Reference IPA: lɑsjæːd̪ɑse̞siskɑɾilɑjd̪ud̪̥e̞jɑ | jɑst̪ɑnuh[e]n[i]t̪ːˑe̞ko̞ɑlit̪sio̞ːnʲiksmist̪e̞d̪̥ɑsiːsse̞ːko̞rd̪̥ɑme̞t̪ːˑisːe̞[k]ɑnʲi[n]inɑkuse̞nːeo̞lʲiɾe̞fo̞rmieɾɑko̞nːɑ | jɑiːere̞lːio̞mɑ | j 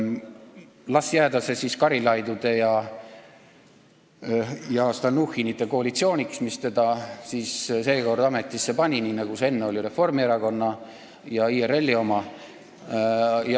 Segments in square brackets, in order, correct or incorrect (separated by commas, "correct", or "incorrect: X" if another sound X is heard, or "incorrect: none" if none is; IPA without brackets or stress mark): incorrect: i, correct, incorrect: p, correct